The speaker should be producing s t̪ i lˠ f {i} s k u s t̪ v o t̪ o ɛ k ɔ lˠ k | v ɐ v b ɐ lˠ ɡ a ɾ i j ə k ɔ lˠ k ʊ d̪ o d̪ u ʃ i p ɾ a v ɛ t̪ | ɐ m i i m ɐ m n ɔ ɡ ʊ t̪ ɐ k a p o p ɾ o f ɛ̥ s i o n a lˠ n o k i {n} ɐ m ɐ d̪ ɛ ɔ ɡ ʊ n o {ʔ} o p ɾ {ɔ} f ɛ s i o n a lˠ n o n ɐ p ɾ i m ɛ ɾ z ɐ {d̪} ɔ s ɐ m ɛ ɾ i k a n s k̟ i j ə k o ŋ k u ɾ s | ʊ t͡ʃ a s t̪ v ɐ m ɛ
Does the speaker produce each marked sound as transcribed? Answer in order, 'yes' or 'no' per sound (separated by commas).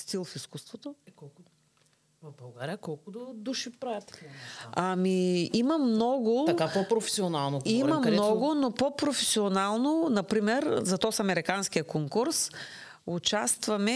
yes, no, no, no, no